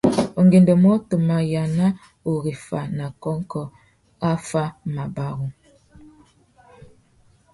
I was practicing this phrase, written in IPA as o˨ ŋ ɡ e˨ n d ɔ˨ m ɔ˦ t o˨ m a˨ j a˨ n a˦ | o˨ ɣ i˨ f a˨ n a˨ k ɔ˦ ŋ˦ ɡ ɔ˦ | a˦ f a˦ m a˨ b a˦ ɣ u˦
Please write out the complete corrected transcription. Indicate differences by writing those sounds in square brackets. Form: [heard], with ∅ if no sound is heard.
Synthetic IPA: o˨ ŋ ɡ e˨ n d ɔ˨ m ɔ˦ t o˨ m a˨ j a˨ n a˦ | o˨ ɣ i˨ f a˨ n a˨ k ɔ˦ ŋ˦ [k] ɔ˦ | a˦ f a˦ m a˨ b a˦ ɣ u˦